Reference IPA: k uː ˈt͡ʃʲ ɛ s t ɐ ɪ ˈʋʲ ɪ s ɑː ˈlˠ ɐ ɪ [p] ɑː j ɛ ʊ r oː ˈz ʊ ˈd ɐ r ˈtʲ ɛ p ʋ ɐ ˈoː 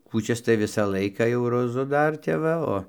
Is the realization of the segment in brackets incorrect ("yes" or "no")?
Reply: yes